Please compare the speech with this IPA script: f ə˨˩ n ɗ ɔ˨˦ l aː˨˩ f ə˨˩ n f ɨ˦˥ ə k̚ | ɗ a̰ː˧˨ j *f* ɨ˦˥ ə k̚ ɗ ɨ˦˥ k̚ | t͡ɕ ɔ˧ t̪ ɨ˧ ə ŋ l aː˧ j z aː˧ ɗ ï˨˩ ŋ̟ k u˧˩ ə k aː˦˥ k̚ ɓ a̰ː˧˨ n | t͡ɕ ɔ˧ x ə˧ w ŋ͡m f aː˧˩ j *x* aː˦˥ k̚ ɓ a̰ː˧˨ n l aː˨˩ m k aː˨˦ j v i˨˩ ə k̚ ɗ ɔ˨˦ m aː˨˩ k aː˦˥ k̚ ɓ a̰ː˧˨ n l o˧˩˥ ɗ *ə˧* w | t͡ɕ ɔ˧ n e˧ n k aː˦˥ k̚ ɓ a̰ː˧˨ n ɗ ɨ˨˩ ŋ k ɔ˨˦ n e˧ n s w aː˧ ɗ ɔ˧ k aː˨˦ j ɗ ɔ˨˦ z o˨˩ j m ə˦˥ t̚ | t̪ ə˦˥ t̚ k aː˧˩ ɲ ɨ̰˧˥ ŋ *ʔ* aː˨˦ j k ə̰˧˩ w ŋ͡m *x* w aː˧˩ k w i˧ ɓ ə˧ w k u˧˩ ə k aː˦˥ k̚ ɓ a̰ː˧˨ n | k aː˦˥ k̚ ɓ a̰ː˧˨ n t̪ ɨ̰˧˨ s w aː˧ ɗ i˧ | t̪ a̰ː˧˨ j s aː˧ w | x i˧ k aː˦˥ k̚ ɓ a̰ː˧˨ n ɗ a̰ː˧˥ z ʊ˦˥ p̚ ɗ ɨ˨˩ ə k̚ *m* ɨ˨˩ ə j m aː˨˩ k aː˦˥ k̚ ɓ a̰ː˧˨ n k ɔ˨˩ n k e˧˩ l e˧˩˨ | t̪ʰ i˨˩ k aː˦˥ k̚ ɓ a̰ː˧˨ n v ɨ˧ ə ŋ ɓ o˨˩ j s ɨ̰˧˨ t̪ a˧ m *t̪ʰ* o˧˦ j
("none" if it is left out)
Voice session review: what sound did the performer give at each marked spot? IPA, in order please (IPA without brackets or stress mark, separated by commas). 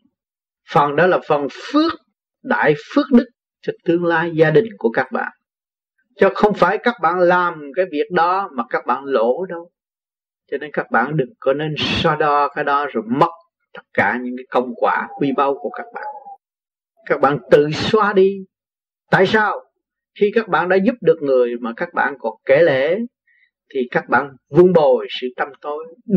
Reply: f, k, ə˧, k, k, ŋ, t̪